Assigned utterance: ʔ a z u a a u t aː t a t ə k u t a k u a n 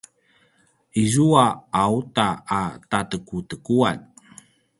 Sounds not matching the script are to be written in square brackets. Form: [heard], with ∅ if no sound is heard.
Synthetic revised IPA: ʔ [i] z u a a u t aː t a t ə k u t [ə] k u a n